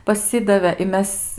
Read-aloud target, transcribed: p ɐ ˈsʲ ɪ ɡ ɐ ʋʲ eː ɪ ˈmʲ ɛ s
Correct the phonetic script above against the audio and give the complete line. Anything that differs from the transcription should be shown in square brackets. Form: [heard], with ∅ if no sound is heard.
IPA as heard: p ɐ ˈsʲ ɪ [d] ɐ ʋʲ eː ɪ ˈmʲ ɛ s

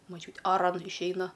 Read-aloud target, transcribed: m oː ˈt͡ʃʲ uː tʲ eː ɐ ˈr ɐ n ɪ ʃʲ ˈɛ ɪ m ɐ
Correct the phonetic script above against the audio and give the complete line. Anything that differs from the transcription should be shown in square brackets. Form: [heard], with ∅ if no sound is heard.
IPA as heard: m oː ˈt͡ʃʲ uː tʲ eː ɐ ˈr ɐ n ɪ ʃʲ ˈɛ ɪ [n] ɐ

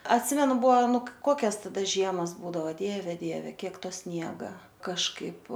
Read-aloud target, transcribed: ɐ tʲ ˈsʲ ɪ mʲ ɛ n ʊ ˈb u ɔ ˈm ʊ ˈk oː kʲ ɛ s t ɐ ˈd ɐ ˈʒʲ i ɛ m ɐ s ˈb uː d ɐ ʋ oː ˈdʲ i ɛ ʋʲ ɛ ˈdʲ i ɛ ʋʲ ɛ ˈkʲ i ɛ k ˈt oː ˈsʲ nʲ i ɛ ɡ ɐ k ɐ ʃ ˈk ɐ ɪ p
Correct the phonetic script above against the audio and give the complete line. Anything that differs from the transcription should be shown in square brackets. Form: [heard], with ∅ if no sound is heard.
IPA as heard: ɐ tʲ ˈsʲ ɪ mʲ ɛ n ʊ ˈb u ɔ [ˈn] ʊ ˈk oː kʲ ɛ s t ɐ ˈd ɐ ˈʒʲ i ɛ m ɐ s ˈb uː d ɐ ʋ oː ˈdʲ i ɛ ʋʲ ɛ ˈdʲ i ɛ ʋʲ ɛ ˈkʲ i ɛ k ˈt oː ˈsʲ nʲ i ɛ ɡ ɐ k ɐ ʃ ˈk ɐ ɪ p

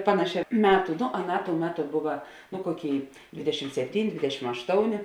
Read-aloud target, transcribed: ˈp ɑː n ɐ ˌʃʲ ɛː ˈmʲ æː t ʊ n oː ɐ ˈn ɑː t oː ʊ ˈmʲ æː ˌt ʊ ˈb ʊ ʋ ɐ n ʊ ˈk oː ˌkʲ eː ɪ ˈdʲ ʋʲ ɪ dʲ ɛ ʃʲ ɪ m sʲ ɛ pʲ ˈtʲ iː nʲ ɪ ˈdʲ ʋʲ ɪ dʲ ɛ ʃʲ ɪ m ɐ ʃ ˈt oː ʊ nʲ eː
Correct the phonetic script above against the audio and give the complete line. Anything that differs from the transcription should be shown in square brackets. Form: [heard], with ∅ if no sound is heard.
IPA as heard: ˈp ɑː n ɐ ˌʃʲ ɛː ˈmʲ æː t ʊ n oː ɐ ˈn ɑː t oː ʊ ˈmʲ æː ˌt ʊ ˈb ʊ ʋ ɐ n ʊ ˈk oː ˌkʲ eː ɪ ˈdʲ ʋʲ ɪ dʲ ɛ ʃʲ ɪ m sʲ ɛ pʲ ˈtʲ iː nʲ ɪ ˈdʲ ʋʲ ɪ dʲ ɛ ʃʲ ɪ m ɐ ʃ ˈt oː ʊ nʲ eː

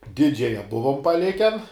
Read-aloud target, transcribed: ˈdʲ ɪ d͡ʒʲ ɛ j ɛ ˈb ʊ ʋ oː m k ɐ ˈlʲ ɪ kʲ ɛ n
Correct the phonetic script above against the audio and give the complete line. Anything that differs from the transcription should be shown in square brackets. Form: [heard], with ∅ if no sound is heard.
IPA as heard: ˈdʲ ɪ d͡ʒʲ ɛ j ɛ ˈb ʊ ʋ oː m [p] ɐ ˈlʲ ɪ kʲ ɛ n

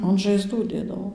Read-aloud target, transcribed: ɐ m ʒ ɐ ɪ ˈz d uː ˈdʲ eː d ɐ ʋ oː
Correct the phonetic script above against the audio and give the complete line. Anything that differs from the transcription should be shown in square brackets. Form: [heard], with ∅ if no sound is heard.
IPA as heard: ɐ [n] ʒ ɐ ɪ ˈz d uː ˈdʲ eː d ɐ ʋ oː

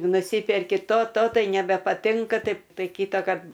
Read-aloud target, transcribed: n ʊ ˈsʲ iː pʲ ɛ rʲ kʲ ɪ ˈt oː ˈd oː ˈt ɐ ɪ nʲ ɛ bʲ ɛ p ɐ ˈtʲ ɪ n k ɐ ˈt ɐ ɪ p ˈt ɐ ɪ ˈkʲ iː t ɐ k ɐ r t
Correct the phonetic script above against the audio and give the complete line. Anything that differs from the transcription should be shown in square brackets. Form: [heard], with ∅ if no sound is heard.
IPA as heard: n ʊ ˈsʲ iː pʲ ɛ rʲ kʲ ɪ ˈt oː [ˈt] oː ˈt ɐ ɪ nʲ ɛ bʲ ɛ p ɐ ˈtʲ ɪ [ŋ] k ɐ ˈt ɐ ɪ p ˈt ɐ ɪ ˈkʲ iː t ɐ k ɐ r t

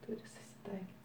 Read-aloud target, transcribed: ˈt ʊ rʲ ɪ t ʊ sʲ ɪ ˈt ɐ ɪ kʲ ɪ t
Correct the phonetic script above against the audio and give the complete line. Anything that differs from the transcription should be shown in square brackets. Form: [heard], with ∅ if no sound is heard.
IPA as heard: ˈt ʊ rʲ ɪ [s] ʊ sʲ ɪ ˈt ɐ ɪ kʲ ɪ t

